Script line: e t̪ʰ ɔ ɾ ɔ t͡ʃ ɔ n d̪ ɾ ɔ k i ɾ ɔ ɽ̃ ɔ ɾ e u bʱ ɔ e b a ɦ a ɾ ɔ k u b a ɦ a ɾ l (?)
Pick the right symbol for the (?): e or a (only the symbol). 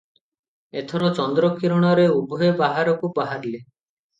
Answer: e